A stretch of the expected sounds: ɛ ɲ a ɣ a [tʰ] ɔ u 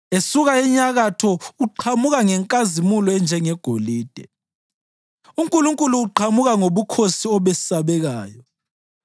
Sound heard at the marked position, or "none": tʰ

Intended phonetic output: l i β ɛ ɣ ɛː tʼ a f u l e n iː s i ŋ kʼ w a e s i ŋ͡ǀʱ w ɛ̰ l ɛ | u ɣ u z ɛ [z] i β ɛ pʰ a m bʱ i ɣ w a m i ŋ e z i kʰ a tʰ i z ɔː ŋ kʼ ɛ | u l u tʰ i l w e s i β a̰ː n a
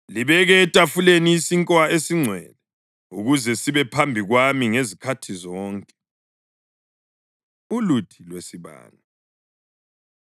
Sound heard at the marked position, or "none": s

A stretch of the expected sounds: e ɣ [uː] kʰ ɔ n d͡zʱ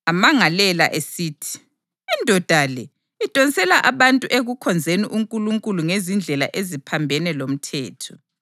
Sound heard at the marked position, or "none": u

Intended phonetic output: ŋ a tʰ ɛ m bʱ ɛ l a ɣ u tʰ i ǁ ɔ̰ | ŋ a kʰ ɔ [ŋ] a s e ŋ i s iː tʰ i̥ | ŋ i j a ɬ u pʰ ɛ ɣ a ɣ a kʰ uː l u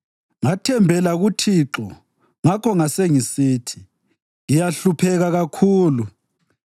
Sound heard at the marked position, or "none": ŋ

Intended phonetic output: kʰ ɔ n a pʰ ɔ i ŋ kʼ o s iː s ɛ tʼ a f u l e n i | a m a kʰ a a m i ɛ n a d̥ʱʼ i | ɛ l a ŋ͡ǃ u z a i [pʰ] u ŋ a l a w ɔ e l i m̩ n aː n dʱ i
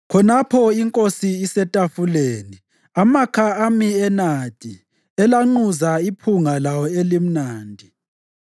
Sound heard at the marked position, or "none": pʰ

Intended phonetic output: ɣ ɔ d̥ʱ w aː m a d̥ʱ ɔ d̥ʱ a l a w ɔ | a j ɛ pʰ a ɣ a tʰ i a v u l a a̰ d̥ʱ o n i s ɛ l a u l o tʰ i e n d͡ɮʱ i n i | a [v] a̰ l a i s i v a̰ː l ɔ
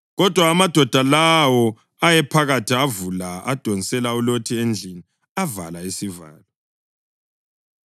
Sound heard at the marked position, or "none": v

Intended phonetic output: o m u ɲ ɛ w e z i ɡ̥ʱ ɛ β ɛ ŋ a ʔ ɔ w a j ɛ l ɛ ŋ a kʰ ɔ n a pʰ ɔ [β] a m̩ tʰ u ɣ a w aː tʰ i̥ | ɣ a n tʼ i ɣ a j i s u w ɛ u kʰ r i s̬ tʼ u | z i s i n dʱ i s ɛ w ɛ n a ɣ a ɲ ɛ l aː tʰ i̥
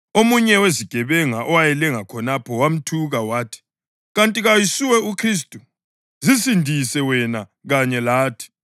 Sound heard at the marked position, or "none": w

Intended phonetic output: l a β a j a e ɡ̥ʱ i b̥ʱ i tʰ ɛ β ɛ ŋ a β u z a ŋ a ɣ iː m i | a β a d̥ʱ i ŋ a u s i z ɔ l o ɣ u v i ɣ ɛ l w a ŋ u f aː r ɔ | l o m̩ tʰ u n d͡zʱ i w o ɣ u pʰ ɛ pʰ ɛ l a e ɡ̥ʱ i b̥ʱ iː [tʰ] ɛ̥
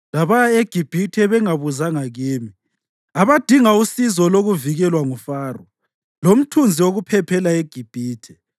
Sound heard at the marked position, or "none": tʰ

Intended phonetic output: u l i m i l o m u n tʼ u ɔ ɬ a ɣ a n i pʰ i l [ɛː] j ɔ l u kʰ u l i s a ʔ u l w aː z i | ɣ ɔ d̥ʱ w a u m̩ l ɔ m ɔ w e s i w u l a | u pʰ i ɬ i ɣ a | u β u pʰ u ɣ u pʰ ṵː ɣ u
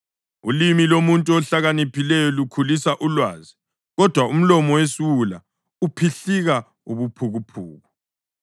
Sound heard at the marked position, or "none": ɛ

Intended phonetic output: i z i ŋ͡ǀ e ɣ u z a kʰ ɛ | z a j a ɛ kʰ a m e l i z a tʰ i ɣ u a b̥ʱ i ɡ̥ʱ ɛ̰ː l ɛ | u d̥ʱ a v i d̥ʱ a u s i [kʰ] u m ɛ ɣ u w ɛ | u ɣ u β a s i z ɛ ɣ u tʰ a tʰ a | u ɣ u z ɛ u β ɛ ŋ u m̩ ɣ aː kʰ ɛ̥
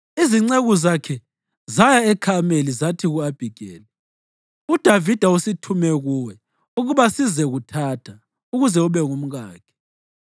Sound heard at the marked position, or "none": tʰ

